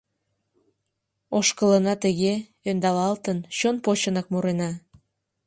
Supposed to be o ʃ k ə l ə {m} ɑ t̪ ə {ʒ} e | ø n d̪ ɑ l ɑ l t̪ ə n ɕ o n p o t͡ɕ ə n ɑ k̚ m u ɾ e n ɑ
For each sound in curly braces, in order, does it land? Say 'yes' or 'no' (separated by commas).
no, no